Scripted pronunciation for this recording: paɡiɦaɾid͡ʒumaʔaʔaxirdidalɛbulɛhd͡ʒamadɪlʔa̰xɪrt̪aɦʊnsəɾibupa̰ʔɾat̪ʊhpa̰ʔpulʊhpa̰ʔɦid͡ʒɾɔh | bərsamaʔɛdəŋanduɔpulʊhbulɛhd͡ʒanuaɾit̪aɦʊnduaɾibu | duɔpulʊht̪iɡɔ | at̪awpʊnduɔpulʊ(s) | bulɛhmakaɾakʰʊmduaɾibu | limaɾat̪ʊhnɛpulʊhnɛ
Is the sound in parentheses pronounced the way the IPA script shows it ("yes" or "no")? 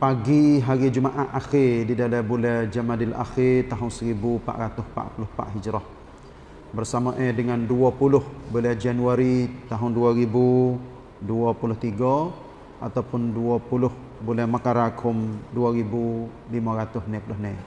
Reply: no